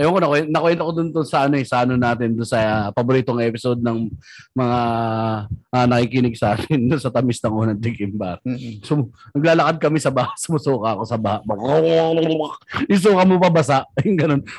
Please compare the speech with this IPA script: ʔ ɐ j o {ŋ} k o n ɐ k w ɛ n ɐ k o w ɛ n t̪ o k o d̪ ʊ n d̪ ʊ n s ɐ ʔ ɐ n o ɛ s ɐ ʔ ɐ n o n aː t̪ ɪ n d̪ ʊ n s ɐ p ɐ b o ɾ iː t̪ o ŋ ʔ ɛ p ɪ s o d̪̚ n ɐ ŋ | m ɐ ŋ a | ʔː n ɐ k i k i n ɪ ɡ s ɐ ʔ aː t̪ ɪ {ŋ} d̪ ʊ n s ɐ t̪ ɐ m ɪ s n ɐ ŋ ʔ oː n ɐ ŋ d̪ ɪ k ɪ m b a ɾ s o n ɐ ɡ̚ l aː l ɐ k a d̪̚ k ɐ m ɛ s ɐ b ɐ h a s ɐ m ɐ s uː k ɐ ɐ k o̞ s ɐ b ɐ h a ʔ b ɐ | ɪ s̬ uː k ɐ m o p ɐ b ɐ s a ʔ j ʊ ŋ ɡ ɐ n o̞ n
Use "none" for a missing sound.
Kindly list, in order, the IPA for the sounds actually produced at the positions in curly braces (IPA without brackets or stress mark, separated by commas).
ŋ, n